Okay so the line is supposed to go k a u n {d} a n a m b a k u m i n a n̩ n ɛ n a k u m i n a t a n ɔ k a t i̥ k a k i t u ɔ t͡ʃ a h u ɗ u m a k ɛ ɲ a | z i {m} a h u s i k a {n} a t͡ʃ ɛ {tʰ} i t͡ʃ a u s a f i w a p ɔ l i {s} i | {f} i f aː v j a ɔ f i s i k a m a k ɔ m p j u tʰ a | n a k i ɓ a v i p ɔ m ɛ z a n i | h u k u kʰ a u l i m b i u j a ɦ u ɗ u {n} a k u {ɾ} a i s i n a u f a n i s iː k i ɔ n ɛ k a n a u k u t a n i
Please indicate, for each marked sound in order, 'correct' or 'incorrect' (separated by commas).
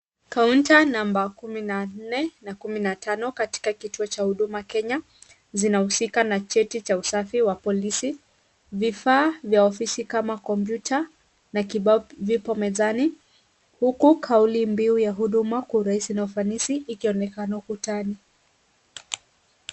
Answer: incorrect, incorrect, correct, incorrect, correct, incorrect, incorrect, correct